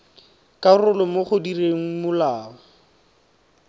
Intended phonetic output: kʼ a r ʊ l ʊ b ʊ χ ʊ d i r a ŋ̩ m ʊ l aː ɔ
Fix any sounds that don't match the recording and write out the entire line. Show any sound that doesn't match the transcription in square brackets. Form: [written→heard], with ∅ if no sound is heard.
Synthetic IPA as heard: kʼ a r ʊ l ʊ [b→m] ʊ χ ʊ d i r [a→e] ŋ̩ m ʊ l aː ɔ